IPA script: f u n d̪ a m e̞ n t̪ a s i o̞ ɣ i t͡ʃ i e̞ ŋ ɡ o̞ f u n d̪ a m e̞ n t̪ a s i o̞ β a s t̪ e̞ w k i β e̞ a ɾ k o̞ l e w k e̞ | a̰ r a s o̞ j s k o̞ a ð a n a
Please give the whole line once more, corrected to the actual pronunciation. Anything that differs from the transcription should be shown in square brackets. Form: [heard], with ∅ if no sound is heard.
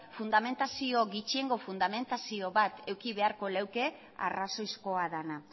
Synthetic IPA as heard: f u n d̪ a m e̞ n t̪ a s i o̞ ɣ i t͡ʃ i e̞ ŋ ɡ o̞ f u n d̪ a m e̞ n t̪ a s i o̞ β a [∅] t̪ e̞ w k i β e̞ a ɾ k o̞ l e w k e̞ | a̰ r a s o̞ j s k o̞ a ð a n a